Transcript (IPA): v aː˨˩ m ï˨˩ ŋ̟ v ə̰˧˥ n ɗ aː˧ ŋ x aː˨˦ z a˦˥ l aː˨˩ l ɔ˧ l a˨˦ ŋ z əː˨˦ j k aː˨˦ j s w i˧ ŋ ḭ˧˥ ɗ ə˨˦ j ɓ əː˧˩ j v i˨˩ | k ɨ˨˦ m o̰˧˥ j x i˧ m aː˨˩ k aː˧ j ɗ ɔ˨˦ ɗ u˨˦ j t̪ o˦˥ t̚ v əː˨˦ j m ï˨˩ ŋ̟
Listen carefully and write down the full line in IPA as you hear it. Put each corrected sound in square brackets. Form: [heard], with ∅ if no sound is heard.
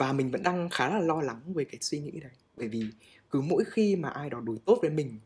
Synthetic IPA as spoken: v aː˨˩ m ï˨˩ ŋ̟ v ə̰˧˥ n ɗ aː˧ ŋ x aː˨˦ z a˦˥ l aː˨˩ l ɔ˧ l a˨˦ ŋ [v] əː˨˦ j k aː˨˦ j s w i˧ ŋ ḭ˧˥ ɗ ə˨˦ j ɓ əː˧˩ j v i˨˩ | k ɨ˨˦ m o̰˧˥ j x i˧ m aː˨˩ [ʔ] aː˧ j ɗ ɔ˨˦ ɗ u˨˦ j t̪ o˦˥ t̚ v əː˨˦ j m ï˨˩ ŋ̟